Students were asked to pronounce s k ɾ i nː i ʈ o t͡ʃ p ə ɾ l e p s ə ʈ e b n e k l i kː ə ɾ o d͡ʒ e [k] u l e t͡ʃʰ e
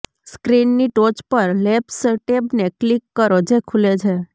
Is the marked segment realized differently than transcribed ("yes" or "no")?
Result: yes